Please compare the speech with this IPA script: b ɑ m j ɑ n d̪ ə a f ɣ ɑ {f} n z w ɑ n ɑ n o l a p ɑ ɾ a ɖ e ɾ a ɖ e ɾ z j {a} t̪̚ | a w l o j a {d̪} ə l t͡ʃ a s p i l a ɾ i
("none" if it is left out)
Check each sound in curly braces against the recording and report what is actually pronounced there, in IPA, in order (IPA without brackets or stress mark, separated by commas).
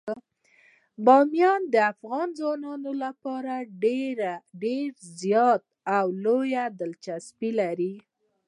none, ɑ, d̪